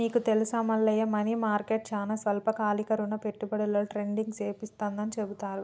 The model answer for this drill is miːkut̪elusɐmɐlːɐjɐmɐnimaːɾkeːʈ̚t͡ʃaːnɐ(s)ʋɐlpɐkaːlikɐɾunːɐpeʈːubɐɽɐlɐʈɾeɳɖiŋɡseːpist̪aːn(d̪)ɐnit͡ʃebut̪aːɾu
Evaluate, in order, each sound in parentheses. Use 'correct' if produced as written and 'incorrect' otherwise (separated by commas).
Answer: correct, correct